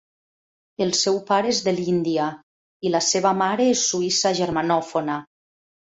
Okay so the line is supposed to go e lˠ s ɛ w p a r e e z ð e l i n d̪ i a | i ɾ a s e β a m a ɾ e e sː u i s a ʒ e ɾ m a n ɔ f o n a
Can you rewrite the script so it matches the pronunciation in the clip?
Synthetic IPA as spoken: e lˠ s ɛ w p a ɾ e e z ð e l i n d̪ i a | i l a s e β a m a ɾ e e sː u i s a ʒ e ɾ m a n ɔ f o n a

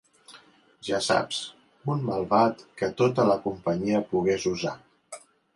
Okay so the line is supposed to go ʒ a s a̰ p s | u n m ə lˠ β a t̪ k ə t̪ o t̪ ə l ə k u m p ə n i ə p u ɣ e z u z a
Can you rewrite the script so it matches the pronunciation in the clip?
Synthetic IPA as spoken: ʒ a s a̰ p s | u n m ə lˠ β a t̪ k ə t̪ o t̪ ə l ə k u m p ə ɲ i ə p u ɣ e z u z a

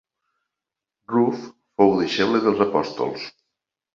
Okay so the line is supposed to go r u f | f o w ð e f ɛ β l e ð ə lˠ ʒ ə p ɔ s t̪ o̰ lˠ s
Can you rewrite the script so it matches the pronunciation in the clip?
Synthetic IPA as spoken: r u f | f o w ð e ʃ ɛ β l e ð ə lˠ z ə p ɔ s t̪ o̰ lˠ s

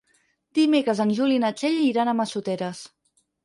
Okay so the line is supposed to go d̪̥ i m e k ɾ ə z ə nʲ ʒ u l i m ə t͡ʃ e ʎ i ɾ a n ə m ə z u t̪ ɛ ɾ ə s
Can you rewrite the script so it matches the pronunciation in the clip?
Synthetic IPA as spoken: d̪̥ i m e k ɾ ə z ə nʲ ʒ u l i n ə t͡ʃ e ʎ i ɾ a n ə m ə s u t̪ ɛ ɾ ə s

